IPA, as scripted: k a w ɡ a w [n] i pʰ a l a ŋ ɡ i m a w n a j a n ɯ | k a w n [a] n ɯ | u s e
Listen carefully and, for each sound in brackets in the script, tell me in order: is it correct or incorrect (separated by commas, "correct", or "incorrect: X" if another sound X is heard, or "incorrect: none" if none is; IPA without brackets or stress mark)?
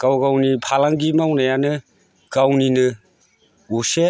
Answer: correct, incorrect: i